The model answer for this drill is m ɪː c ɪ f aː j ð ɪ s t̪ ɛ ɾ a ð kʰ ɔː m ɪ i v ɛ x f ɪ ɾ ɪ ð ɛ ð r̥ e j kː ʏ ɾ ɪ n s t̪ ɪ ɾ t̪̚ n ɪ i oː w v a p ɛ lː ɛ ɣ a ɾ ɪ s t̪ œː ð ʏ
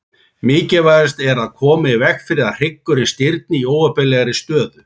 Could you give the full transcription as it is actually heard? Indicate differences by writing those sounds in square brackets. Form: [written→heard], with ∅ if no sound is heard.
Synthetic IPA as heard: m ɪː c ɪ [f→v] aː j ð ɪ s t̪ ɛ ɾ a ð kʰ ɔː m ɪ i v ɛ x f ɪ ɾ ɪ ð [ɛ→a] ð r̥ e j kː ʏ ɾ ɪ n s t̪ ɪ ɾ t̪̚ n ɪ i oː w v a p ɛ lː ɛ ɣ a ɾ ɪ s t̪ œː ð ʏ